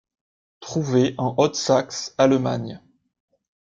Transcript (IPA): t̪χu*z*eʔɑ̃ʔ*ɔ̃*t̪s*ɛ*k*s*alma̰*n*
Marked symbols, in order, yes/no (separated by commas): no, no, no, yes, no